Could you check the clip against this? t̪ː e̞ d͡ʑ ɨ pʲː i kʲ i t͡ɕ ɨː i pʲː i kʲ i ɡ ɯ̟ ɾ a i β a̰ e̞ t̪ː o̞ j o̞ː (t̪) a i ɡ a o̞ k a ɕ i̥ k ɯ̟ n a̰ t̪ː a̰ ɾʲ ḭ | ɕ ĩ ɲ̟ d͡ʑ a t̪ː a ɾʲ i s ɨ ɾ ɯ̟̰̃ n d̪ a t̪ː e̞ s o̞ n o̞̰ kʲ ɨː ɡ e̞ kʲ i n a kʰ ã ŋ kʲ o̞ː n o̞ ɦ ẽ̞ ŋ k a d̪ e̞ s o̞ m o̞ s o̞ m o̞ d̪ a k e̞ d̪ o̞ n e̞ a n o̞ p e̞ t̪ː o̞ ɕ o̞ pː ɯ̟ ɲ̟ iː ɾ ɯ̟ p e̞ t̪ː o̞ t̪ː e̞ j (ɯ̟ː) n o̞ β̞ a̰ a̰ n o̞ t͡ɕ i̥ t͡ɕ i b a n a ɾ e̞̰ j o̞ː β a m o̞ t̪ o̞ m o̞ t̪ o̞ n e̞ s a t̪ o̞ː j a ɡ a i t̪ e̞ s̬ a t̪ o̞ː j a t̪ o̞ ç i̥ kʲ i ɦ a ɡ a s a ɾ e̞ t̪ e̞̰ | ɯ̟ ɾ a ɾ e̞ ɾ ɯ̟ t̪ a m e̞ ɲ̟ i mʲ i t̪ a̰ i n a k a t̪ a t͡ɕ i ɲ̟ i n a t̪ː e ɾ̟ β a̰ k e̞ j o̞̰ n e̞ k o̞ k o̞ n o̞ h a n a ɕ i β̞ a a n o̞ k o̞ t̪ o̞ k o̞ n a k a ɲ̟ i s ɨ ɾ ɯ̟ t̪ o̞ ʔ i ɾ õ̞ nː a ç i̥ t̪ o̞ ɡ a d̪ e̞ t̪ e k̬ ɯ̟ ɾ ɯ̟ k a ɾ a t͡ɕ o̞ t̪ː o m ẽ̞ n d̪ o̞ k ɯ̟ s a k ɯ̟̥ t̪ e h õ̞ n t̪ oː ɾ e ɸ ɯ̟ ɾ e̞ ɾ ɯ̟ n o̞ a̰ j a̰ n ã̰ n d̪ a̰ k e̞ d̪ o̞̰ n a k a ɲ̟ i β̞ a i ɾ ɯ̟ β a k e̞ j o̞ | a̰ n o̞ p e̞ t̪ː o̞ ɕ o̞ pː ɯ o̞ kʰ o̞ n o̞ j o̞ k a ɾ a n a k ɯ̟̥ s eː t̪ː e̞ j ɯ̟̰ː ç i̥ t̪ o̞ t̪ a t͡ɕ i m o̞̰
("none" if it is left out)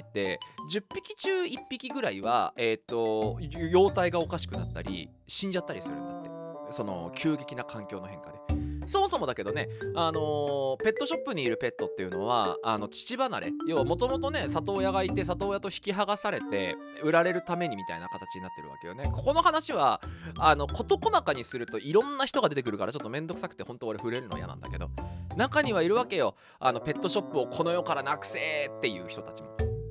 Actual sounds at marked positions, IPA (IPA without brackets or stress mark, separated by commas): t̪, ɯ̟